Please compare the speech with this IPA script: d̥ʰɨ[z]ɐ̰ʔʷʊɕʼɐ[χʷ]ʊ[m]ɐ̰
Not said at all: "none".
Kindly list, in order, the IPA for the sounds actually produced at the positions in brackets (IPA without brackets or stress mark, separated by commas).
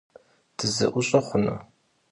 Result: z, χʷ, n